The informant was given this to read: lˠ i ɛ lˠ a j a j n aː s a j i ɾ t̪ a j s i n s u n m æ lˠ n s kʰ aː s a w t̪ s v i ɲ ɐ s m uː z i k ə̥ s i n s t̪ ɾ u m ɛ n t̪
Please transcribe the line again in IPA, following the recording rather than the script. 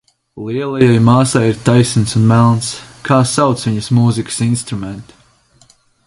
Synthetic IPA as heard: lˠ i ɛ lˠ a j a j m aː s a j i ɾ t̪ a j s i n s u n m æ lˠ n s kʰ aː s a w t̪ s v i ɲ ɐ s m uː z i k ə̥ s i n s t̪ ɾ u m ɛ n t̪